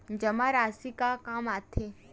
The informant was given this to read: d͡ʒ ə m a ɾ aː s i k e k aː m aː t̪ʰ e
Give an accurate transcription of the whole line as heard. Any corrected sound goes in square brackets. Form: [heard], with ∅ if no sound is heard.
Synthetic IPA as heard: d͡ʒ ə m a ɾ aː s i k [a] k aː m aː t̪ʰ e